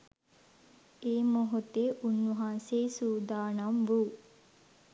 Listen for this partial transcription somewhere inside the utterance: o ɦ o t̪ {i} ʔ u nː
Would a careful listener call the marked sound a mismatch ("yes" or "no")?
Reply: yes